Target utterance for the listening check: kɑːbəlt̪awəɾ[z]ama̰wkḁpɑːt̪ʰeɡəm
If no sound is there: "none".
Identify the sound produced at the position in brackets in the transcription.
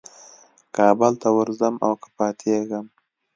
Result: z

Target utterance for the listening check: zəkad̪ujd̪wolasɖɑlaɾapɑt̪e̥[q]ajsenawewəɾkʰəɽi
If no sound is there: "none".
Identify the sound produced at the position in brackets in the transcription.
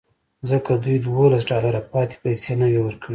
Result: p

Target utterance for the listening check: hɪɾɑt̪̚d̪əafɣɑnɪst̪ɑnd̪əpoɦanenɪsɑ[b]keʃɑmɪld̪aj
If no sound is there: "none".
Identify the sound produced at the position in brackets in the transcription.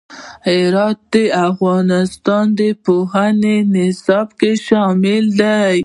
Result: b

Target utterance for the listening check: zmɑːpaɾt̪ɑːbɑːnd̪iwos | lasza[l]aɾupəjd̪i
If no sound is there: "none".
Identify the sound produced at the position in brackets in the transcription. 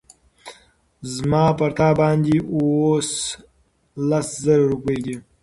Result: ɾ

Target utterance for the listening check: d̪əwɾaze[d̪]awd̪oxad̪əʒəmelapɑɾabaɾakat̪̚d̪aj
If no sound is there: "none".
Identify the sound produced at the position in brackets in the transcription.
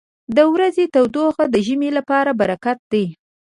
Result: t̪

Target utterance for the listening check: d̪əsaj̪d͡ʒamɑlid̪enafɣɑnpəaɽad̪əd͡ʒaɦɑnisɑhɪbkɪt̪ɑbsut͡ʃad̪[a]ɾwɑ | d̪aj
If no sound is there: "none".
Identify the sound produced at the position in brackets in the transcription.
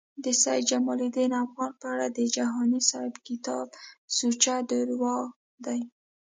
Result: ə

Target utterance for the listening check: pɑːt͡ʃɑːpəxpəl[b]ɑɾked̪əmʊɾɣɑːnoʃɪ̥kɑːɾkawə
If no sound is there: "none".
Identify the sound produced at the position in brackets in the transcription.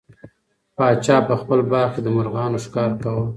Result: b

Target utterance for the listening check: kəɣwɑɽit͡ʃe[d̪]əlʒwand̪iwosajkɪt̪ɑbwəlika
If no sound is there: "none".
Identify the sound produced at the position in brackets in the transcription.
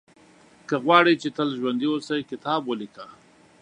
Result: t̪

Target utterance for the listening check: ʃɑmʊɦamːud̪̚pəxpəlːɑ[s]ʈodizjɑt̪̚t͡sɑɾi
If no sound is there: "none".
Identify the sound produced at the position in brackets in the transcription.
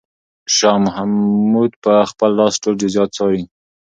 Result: s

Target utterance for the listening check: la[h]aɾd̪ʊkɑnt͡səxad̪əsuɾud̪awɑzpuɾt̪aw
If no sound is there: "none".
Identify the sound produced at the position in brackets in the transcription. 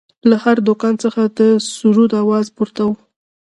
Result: h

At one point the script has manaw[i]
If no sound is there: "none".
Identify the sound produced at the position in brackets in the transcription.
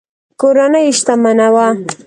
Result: a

